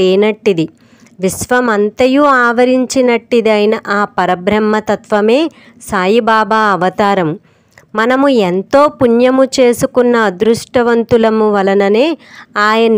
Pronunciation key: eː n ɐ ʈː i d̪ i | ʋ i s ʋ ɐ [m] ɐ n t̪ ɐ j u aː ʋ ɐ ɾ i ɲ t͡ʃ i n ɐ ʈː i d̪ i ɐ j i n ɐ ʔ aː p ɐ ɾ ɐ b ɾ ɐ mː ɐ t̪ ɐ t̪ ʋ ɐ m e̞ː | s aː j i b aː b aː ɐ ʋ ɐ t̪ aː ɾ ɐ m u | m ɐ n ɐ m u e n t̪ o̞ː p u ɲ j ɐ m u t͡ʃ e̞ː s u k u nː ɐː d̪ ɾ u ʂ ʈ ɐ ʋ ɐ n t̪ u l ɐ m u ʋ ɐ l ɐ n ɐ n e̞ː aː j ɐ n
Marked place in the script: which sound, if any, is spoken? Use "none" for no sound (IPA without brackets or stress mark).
m